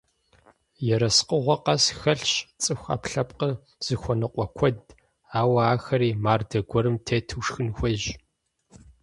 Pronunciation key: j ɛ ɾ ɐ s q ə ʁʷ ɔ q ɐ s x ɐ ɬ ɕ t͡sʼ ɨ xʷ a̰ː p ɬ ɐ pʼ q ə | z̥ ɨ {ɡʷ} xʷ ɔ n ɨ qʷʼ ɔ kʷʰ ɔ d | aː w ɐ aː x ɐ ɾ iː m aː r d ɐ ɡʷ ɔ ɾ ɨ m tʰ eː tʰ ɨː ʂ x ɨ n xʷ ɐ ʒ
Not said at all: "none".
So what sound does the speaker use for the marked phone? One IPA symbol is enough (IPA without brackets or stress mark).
none